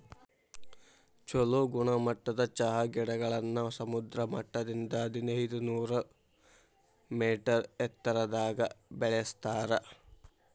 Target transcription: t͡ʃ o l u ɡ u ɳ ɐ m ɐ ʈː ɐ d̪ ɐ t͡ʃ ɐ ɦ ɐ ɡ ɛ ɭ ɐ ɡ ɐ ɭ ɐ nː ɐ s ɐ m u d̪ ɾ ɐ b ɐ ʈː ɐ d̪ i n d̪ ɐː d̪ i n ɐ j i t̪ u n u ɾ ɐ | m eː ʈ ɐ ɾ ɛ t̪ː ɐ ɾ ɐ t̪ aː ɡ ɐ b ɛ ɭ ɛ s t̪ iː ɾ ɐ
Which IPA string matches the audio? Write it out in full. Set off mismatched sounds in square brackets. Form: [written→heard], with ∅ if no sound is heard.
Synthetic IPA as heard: t͡ʃ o l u ɡ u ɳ ɐ m ɐ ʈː ɐ d̪ ɐ t͡ʃ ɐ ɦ ɐ ɡ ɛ [ɭ→ɽ] ɐ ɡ ɐ ɭ ɐ nː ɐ s ɐ m u d̪ ɾ ɐ [b→m] ɐ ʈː ɐ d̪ i n d̪ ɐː d̪ i n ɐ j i [t̪→d̪] u n [u→uː] ɾ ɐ | m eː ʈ ɐ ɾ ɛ t̪ː ɐ ɾ ɐ [t̪→d̪] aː ɡ ɐ b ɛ ɭ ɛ s t̪ [iː→aː] ɾ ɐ